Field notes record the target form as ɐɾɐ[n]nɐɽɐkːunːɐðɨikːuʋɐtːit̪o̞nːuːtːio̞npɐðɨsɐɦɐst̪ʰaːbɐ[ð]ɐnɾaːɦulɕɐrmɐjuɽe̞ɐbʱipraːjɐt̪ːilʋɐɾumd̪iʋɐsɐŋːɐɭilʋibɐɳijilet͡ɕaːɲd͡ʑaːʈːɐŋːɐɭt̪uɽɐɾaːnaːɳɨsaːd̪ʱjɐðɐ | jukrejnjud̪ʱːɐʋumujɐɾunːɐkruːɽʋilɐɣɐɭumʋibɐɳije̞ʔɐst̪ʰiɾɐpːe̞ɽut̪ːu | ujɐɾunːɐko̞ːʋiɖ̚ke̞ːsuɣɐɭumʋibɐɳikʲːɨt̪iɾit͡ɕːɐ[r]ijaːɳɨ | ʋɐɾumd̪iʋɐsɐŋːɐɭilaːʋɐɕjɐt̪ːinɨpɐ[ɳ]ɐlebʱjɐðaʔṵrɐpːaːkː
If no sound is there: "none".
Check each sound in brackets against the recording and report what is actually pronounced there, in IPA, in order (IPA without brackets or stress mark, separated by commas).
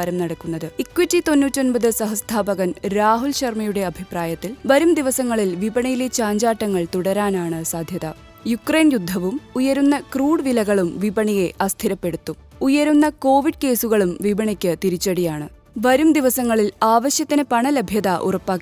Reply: m, ɣ, ɽ, ɳ